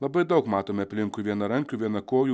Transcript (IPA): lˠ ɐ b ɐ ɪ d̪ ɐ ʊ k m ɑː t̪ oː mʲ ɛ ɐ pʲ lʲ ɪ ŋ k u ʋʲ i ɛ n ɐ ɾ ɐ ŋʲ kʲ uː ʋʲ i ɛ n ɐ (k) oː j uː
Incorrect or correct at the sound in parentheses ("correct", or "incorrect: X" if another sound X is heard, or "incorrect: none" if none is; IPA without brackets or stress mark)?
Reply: correct